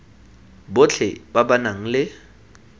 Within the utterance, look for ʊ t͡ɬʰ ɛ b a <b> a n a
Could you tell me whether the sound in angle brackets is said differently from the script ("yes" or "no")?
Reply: no